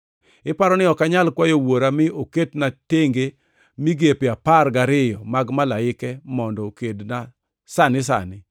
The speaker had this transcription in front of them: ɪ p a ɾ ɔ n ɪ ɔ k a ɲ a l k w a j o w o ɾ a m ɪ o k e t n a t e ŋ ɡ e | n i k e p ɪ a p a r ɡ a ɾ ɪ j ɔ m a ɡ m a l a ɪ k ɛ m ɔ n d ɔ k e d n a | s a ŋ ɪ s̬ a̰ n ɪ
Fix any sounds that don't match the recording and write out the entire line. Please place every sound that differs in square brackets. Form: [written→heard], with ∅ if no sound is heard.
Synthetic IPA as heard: ɪ p a ɾ ɔ n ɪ ɔ k a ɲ a l k w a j o w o ɾ a m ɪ o k e t n a t e ŋ ɡ e | [n→m] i [k→ɡ] e p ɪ a p a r ɡ a ɾ ɪ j ɔ m a ɡ m a l a ɪ k ɛ m ɔ n d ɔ k e d n a | s a [ŋ→n] ɪ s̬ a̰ n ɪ